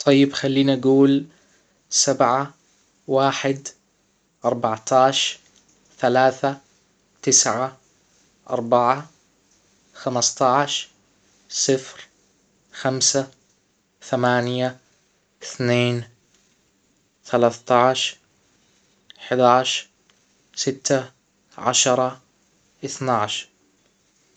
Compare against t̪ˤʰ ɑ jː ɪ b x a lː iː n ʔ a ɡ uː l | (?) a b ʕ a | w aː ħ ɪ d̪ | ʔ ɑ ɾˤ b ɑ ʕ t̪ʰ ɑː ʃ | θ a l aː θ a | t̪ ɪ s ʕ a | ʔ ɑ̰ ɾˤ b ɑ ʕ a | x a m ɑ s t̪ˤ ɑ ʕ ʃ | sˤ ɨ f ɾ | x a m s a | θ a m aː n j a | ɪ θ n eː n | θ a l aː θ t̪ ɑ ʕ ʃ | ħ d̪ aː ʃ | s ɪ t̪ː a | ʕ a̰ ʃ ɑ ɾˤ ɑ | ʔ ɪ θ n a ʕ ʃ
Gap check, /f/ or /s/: s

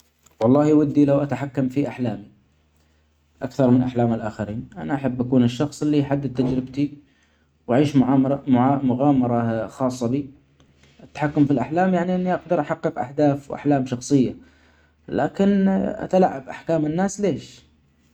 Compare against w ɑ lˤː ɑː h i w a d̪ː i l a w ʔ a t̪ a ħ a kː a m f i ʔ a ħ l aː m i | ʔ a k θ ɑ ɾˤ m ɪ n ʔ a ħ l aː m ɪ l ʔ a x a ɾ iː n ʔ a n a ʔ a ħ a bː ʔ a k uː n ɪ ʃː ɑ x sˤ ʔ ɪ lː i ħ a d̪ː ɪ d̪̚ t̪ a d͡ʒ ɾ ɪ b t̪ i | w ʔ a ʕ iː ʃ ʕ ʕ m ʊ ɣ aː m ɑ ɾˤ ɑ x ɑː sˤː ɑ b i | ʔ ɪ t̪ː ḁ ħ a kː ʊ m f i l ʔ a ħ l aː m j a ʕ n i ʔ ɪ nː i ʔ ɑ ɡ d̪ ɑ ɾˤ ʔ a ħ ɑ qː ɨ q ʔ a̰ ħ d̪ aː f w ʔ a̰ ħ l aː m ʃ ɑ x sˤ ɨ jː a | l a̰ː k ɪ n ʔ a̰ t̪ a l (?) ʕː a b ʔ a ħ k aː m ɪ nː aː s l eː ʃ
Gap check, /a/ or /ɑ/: a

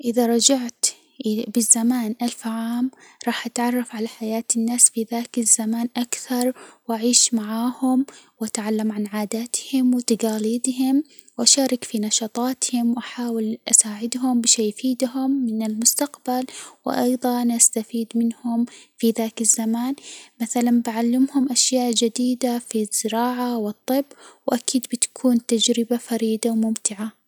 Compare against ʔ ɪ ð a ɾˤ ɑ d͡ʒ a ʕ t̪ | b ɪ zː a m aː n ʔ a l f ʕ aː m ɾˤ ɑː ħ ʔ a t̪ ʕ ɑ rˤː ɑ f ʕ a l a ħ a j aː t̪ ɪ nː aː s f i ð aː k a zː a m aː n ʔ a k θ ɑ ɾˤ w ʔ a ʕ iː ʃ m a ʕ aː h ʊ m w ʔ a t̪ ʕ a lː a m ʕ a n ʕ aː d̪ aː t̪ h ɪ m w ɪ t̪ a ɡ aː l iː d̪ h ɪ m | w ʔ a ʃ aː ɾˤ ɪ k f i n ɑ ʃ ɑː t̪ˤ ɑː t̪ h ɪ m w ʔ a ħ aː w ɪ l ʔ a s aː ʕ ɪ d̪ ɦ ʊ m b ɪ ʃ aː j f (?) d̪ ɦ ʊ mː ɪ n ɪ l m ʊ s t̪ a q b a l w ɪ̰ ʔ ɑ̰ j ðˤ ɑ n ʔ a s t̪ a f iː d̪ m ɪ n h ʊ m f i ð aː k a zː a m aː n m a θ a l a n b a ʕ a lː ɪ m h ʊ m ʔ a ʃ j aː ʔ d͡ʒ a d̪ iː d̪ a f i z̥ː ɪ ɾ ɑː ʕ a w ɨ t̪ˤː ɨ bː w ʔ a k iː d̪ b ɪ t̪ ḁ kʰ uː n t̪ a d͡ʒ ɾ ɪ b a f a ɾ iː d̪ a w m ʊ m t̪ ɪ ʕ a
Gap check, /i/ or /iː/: iː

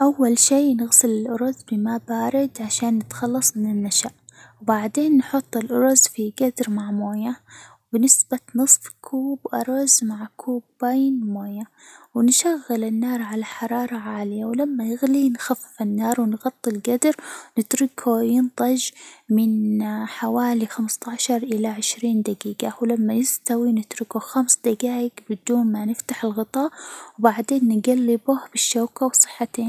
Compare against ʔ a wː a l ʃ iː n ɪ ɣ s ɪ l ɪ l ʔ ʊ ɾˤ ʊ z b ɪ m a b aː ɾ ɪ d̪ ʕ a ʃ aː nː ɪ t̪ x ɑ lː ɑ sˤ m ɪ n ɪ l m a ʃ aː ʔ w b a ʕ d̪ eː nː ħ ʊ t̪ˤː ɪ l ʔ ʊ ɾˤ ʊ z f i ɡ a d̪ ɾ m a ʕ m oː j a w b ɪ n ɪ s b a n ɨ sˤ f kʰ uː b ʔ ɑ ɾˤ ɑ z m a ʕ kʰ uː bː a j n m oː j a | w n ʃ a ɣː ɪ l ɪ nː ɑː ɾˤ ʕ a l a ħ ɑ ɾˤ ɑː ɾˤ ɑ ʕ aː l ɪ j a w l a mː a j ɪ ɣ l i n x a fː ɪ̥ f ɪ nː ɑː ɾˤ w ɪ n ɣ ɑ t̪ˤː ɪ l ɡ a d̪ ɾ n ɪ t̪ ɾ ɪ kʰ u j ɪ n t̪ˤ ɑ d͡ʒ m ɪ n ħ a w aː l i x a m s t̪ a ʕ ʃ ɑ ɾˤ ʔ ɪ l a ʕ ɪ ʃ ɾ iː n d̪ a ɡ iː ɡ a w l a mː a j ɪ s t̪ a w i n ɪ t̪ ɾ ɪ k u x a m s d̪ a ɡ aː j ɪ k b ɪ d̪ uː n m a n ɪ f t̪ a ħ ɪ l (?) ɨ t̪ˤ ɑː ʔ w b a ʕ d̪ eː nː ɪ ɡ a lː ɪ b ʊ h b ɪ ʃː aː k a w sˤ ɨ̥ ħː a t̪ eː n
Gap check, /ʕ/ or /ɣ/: ɣ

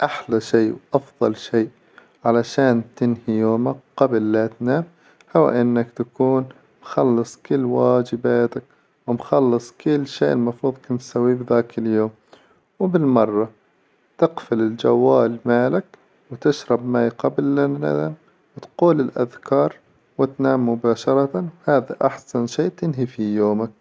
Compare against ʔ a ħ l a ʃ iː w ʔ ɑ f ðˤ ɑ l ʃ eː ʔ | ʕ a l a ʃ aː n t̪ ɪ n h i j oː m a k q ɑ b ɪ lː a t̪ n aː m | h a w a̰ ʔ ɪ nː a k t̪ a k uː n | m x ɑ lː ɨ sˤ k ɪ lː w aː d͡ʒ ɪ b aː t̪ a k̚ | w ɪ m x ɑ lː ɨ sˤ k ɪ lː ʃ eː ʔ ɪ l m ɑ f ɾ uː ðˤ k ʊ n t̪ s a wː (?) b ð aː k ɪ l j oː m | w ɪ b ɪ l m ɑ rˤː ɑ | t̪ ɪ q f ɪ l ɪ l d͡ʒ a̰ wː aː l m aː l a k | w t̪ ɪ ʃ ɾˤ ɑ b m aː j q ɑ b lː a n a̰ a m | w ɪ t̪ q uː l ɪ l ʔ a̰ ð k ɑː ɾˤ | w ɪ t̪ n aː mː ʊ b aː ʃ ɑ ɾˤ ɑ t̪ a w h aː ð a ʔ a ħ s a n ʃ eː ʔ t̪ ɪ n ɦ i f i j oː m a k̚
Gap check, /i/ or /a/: i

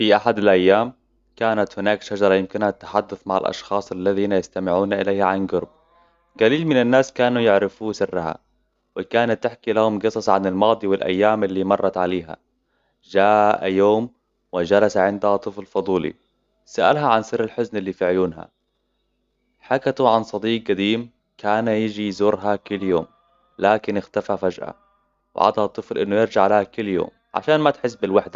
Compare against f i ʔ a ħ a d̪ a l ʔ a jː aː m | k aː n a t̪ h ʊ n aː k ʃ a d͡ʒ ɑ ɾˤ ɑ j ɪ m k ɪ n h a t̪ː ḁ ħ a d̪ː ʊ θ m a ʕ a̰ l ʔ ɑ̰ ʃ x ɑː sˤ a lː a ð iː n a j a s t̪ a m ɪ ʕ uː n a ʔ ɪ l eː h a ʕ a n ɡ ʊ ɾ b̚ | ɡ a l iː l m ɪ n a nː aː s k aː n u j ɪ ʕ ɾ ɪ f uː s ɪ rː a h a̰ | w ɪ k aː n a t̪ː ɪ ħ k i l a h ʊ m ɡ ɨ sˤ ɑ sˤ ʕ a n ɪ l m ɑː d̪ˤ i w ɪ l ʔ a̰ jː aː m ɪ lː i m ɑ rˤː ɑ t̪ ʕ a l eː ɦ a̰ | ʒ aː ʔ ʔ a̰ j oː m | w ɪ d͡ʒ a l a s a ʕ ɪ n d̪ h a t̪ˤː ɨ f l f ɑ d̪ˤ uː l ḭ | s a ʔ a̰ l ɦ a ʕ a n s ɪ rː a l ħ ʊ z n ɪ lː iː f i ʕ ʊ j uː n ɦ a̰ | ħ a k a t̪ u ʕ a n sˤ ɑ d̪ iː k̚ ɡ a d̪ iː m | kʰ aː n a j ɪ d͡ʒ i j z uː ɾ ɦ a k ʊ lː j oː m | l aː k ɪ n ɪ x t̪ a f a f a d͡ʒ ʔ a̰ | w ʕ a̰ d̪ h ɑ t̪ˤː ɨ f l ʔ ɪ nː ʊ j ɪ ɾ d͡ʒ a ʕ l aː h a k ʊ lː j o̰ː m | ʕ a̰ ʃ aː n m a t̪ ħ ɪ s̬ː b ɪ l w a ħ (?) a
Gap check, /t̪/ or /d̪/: d̪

